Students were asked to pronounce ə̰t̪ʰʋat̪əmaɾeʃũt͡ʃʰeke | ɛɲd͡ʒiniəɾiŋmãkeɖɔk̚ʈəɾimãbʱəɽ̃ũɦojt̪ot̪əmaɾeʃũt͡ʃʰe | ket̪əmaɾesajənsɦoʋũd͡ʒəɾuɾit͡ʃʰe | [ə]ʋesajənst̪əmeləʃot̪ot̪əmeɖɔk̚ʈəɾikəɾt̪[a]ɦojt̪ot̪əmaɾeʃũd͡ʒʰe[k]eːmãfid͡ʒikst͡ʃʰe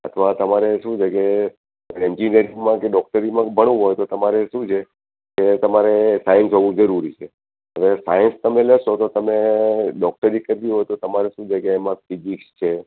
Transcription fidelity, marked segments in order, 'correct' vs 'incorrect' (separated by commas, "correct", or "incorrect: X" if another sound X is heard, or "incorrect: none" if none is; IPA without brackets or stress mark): correct, incorrect: i, correct